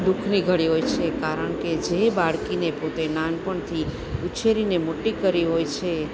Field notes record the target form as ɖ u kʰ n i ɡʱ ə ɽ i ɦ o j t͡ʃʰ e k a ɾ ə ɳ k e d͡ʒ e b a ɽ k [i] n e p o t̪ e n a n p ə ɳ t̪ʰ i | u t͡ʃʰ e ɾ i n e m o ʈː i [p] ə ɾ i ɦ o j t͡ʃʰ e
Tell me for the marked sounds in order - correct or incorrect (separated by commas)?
correct, incorrect